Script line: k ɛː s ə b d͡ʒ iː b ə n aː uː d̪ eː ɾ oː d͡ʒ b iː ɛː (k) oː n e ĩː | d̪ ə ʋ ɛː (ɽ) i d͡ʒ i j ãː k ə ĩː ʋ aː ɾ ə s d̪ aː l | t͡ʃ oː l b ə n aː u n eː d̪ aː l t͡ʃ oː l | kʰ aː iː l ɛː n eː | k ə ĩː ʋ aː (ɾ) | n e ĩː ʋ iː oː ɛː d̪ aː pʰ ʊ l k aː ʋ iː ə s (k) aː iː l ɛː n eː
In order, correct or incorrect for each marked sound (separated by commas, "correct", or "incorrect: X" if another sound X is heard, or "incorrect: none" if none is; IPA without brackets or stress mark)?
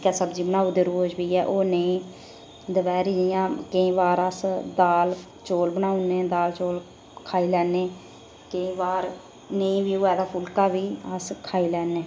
incorrect: ʔ, incorrect: ɾ, correct, incorrect: kʰ